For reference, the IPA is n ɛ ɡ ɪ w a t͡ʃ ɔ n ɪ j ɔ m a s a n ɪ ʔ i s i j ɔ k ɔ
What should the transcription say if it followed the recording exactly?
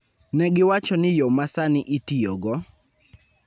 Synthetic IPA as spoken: n ɛ ɡ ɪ w a t͡ʃ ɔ n ɪ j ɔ m a s a n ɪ ʔ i t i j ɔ ɡ ɔ